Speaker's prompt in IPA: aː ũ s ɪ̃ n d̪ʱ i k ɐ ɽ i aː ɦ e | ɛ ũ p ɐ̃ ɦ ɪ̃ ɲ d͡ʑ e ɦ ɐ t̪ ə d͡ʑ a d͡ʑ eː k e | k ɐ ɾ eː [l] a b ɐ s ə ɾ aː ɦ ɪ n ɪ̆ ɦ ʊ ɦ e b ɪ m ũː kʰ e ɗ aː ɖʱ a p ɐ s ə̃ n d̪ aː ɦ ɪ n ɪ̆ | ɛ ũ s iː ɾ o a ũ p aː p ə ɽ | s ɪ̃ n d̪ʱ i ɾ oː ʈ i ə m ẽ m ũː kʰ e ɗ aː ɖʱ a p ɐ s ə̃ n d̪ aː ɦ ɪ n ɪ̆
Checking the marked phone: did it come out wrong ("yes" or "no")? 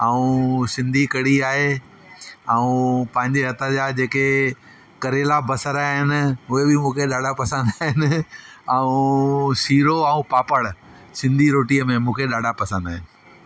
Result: no